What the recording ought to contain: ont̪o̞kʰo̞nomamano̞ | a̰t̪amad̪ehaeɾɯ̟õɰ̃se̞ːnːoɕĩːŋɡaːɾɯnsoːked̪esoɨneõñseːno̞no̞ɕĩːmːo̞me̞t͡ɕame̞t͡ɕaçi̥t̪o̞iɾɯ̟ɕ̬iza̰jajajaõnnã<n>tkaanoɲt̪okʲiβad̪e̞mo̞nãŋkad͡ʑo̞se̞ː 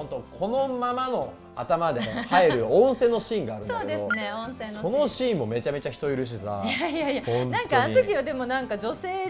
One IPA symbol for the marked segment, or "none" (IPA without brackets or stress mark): ŋ